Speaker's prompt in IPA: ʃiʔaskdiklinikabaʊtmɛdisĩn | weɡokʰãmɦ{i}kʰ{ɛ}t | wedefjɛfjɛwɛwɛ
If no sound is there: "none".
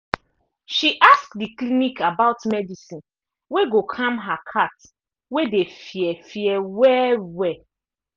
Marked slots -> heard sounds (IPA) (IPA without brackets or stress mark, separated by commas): a, a